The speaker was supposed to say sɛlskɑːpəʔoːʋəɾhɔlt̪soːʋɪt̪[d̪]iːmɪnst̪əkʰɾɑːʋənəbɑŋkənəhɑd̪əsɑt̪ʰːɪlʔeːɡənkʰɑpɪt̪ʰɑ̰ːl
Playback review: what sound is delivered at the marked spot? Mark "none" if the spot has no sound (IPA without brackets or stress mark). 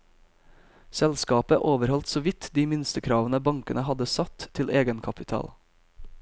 d̪